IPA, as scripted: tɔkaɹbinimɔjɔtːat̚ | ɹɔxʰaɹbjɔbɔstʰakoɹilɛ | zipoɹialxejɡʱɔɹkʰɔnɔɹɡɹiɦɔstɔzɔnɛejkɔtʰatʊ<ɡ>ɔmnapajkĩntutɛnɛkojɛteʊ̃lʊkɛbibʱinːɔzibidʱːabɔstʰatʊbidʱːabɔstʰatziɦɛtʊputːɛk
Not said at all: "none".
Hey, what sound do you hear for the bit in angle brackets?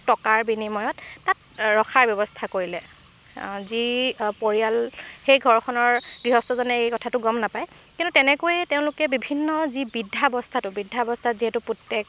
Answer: ɡ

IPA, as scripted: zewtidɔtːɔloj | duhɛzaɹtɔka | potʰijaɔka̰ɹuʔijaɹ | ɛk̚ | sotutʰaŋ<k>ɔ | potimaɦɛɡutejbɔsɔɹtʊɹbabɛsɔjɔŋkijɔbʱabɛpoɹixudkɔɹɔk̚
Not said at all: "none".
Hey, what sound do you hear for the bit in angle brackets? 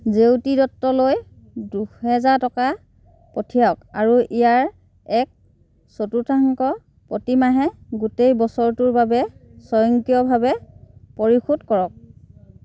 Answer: k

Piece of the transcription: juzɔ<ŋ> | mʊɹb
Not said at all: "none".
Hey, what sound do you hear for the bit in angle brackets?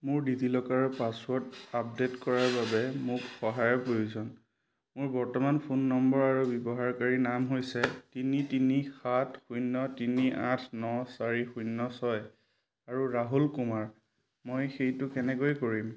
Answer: n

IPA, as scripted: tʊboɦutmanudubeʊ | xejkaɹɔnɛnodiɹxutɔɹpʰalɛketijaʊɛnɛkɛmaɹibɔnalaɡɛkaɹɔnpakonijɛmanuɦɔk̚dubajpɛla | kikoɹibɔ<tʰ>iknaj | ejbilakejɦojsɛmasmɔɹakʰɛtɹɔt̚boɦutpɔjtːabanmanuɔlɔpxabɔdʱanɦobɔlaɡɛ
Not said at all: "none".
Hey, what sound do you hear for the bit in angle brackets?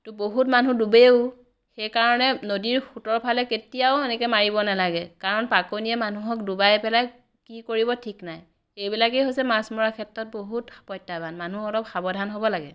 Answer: tʰ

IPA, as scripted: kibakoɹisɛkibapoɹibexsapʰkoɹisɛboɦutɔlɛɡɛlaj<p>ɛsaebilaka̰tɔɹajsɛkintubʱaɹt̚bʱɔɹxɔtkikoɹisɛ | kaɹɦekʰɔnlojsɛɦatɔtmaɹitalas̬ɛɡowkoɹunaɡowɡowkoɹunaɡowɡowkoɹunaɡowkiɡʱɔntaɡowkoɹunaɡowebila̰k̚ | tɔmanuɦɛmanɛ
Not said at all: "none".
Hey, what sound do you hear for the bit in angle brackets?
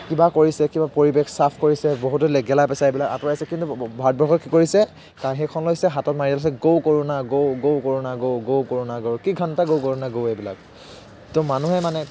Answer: p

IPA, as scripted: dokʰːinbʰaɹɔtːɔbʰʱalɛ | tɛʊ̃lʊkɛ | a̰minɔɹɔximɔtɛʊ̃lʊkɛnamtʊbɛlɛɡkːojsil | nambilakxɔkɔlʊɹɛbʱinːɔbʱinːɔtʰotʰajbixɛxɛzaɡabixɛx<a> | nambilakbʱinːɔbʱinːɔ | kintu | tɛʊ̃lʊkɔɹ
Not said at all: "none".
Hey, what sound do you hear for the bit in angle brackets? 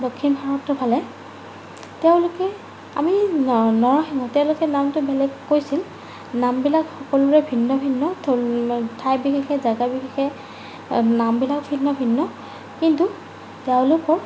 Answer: ɛ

